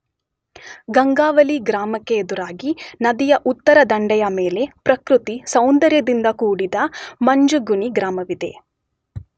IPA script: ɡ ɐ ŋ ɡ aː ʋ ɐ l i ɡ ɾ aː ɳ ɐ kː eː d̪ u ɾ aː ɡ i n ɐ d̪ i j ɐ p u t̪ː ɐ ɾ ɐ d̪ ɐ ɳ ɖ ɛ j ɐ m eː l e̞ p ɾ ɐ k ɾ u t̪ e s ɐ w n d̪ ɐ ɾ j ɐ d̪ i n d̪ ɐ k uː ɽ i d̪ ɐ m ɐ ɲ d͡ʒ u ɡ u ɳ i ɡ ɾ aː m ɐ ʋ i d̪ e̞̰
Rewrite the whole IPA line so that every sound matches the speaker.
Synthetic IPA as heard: ɡ ɐ ŋ ɡ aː ʋ ɐ l i ɡ ɾ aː m ɐ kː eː d̪ u ɾ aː ɡ i n ɐ d̪ i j ɐ ʔ u t̪ː ɐ ɾ ɐ d̪ ɐ ɳ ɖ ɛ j ɐ m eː l e̞ p ɾ ɐ k ɾ u t̪ i s ɐ w n d̪ ɐ ɾ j ɐ d̪ i n d̪ ɐ k uː ɽ i d̪ ɐ m ɐ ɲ d͡ʒ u ɡ u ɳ i ɡ ɾ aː m ɐ ʋ i d̪ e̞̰